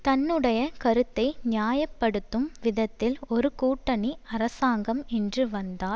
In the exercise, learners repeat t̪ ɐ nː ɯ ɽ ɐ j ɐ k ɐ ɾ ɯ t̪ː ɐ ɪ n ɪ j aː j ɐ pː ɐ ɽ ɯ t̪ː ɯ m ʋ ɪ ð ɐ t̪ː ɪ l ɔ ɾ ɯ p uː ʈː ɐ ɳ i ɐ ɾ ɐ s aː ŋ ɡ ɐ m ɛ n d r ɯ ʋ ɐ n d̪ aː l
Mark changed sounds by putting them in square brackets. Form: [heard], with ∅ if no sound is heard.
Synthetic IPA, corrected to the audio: t̪ ɐ nː ɯ ɽ ɐ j ɐ k ɐ ɾ ɯ t̪ː ɐ ɪ n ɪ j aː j ɐ pː ɐ ɽ ɯ t̪ː ɯ m ʋ ɪ ð ɐ t̪ː ɪ l ɔ ɾ ɯ [k] uː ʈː ɐ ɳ i ɐ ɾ ɐ s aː ŋ ɡ ɐ m ɛ n d r ɯ ʋ ɐ n d̪ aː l